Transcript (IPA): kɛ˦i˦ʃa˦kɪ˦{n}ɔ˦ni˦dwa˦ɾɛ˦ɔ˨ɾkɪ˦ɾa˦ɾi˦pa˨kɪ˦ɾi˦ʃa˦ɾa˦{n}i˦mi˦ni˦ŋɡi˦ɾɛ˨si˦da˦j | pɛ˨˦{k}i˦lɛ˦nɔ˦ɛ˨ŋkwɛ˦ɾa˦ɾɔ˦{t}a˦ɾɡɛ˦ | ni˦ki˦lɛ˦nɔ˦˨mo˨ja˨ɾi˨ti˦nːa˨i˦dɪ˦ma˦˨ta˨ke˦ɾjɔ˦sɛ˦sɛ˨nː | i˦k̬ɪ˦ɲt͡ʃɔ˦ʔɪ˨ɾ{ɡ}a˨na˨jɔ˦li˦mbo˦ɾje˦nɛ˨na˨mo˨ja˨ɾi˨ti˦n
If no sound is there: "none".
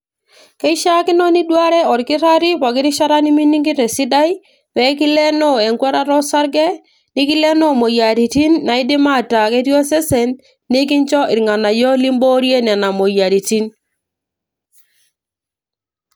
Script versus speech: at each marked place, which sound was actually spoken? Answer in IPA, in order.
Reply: n, n, k, s, ŋ

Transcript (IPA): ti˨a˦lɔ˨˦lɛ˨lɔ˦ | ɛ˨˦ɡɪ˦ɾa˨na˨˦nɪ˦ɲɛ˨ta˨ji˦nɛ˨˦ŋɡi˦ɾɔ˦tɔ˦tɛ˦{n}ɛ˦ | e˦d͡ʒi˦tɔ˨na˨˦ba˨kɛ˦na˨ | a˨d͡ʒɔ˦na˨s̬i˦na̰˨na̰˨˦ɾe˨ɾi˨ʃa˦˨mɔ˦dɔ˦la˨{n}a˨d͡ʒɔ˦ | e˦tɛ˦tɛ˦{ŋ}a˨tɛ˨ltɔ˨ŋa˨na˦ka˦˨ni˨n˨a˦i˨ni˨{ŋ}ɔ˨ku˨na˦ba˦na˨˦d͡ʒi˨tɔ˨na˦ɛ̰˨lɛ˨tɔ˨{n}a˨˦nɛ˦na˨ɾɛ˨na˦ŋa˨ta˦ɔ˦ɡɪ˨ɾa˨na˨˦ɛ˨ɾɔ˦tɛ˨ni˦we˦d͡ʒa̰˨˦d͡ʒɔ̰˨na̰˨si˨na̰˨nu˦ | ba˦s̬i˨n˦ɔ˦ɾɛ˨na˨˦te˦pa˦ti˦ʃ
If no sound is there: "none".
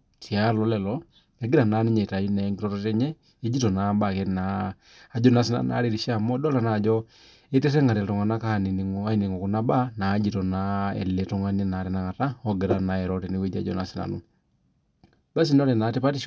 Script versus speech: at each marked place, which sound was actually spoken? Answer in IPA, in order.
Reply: ɲ, n, ŋ, ŋ, ŋ

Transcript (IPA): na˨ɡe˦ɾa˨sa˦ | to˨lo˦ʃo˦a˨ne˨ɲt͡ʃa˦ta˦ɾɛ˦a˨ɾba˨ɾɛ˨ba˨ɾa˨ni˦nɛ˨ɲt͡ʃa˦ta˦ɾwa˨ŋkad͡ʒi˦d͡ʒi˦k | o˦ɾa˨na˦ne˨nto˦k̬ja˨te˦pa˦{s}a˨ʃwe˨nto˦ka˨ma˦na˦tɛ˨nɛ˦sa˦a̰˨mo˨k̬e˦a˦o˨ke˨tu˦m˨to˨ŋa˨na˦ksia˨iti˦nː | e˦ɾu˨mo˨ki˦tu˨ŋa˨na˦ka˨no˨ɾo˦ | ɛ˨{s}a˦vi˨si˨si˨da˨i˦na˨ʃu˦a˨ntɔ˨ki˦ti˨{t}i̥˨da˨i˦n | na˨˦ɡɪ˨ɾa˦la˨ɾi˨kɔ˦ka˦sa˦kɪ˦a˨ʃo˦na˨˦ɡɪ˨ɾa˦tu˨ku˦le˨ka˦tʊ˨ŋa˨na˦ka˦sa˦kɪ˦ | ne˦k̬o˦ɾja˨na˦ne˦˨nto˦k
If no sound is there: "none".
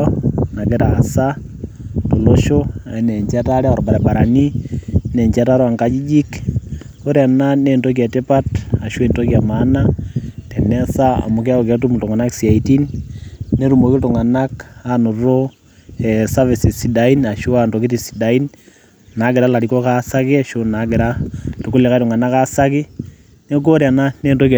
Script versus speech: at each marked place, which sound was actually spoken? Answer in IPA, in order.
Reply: t, s, s

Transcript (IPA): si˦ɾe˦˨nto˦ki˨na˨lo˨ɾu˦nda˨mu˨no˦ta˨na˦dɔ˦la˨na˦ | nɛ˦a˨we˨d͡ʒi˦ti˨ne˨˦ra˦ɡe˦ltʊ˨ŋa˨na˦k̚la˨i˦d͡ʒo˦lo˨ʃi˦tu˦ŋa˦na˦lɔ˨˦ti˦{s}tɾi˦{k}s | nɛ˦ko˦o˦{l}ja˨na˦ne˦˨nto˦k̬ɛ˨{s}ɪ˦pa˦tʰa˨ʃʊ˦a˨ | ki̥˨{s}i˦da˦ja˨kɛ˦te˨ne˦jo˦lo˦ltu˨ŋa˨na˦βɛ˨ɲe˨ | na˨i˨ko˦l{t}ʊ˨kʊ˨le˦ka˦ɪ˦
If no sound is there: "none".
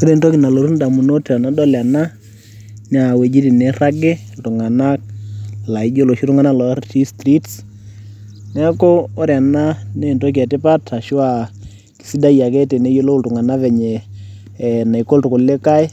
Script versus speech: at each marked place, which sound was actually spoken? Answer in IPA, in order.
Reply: s, t, ɾ, t, s, t

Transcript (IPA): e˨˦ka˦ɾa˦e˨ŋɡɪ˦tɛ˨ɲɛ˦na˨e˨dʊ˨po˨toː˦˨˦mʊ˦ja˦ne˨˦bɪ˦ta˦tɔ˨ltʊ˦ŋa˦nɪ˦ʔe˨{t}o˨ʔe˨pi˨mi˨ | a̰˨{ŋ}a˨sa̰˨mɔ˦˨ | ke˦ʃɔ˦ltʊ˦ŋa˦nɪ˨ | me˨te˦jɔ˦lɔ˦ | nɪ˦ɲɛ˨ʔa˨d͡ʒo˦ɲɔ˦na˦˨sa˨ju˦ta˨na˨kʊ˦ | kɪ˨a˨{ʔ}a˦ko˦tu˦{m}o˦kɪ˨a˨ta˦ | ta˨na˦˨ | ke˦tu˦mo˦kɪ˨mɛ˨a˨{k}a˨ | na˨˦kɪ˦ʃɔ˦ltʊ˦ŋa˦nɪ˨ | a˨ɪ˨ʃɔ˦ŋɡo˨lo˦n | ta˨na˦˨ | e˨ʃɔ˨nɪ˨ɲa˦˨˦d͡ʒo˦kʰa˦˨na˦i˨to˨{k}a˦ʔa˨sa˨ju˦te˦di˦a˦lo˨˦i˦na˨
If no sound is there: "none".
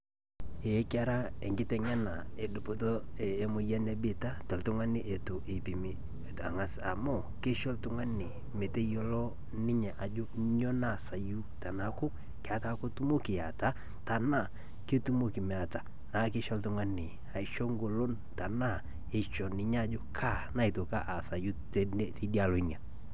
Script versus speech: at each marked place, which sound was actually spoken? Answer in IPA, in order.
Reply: t, ŋ, t, m, t, k

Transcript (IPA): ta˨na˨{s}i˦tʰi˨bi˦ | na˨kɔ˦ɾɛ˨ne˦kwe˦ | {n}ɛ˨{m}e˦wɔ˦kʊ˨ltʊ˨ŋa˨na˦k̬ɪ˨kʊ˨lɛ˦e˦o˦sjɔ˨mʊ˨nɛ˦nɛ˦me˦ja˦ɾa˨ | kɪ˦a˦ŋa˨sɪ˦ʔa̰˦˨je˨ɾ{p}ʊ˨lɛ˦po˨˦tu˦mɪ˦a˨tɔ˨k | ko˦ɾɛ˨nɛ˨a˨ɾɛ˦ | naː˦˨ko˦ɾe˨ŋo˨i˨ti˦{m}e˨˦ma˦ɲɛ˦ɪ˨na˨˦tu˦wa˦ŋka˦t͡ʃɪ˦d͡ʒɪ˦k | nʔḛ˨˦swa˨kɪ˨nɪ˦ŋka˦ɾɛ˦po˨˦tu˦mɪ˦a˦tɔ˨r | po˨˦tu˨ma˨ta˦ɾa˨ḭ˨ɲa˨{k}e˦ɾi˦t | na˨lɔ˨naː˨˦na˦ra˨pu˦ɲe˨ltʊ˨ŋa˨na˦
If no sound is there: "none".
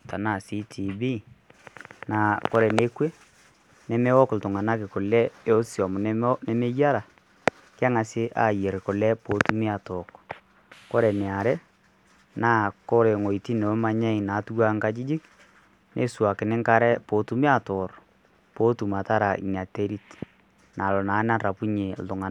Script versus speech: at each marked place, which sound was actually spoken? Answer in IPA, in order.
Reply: s, n, m, k, n, t

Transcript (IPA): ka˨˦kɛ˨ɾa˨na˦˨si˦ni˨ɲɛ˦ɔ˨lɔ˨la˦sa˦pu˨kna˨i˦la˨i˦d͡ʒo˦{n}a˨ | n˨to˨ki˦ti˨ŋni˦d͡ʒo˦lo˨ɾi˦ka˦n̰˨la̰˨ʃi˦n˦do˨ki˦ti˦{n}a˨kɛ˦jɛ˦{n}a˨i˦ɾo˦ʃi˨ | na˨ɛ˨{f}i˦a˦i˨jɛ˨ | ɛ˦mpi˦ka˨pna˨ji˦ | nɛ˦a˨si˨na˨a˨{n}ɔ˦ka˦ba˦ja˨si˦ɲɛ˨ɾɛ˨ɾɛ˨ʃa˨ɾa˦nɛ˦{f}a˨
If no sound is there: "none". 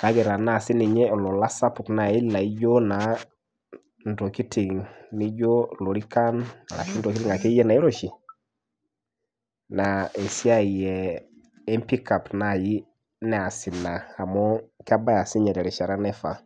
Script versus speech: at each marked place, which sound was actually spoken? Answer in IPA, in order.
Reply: n, ŋ, n, s, m, f

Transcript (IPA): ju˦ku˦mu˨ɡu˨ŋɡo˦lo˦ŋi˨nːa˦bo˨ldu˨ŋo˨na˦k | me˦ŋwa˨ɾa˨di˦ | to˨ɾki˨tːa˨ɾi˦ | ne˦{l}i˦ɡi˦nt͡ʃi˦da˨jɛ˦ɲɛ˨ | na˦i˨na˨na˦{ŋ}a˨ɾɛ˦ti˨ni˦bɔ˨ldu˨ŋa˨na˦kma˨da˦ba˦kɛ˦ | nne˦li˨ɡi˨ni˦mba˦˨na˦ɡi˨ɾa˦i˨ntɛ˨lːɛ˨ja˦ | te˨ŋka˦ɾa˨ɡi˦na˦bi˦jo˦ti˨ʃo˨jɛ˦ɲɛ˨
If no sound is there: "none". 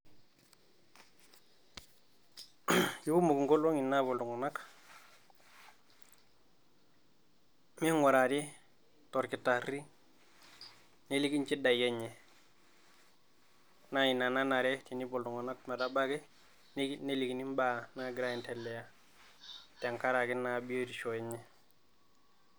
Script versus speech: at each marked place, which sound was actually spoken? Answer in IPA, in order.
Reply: l, n

